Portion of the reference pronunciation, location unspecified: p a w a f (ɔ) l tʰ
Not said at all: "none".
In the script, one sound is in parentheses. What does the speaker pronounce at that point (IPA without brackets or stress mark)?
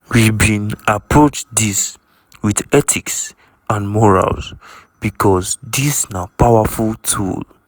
u